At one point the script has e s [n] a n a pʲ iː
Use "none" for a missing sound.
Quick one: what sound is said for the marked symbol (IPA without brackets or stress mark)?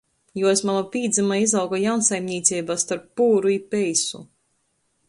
m